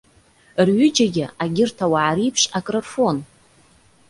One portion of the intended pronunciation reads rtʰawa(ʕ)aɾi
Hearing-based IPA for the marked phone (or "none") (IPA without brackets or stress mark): ʕ